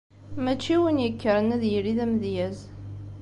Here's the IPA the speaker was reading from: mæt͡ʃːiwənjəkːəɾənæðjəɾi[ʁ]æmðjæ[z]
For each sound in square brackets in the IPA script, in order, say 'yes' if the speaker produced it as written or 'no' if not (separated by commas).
no, yes